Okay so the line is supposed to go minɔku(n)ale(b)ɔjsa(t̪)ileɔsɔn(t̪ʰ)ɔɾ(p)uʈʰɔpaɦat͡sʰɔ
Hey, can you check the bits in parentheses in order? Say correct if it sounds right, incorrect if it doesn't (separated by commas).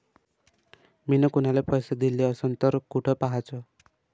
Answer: correct, incorrect, incorrect, incorrect, incorrect